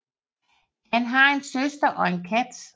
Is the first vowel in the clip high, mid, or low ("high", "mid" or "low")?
low